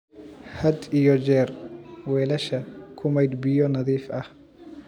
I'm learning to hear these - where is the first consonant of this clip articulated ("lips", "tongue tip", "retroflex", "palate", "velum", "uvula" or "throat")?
throat